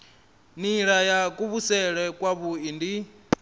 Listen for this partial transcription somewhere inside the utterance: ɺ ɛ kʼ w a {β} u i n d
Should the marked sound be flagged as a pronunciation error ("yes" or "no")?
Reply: no